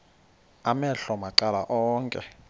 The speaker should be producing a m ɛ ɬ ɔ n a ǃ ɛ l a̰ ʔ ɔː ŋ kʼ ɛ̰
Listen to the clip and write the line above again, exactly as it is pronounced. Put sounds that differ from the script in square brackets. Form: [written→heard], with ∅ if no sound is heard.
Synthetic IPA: a m ɛ ɬ ɔ [n→m] a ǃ [ɛ→a] l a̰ ʔ ɔː ŋ kʼ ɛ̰